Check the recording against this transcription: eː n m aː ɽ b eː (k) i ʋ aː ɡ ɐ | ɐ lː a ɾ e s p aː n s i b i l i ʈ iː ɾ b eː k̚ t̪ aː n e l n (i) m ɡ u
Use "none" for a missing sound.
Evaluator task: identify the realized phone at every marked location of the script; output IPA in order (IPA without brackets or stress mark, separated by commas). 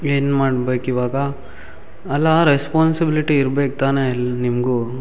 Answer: k, i